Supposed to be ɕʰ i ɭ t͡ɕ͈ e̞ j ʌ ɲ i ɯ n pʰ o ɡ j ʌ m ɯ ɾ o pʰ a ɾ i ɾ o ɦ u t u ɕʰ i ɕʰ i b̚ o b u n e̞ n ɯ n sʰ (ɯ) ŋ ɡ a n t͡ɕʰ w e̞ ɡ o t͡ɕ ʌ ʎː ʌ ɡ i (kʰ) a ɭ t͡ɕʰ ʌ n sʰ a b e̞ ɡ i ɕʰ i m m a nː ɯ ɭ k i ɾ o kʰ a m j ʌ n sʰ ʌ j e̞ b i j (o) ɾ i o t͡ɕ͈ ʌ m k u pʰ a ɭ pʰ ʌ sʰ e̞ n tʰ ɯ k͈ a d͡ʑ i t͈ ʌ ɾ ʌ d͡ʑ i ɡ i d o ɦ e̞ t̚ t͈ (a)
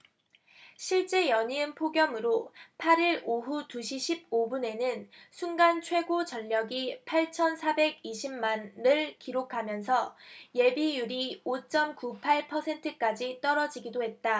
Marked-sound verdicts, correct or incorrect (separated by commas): incorrect, incorrect, incorrect, correct